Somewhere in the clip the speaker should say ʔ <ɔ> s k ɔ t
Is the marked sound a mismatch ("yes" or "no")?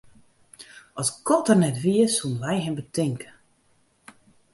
no